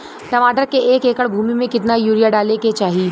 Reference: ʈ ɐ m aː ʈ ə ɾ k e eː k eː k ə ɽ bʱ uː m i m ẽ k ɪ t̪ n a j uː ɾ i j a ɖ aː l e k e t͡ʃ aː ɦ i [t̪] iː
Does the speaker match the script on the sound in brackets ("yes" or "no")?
no